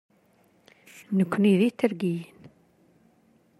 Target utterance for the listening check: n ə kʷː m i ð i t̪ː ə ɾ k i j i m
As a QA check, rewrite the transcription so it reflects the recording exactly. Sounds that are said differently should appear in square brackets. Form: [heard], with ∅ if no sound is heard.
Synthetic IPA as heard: n ə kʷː [n] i ð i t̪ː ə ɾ [ɡ] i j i [n]